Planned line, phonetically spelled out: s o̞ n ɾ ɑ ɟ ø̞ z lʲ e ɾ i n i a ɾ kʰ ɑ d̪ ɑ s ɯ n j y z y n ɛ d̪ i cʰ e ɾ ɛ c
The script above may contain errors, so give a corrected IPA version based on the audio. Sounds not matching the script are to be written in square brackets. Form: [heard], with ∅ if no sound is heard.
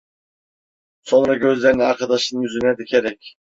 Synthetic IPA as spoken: s o̞ n ɾ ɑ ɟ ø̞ z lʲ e ɾ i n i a ɾ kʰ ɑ d̪ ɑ [ʃ] ɯ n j y z y n ɛ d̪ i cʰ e ɾ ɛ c